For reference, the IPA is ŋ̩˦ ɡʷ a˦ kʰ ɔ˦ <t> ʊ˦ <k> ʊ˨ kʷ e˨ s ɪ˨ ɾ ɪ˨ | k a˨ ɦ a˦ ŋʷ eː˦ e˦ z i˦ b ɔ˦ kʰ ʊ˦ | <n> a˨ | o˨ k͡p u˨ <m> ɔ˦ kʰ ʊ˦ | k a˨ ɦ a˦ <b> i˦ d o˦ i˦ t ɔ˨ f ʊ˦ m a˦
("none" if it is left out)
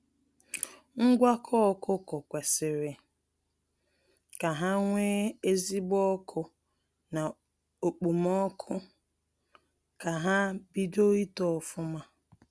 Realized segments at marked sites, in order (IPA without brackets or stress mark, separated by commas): k, k, n, m, b